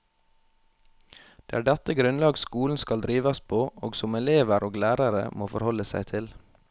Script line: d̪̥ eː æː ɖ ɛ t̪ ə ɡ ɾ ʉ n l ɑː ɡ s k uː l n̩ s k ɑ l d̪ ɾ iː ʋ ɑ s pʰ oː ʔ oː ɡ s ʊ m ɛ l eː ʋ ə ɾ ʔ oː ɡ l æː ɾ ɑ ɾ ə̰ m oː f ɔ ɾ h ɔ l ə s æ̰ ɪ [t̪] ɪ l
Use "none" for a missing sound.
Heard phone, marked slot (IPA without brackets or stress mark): t̪ʰ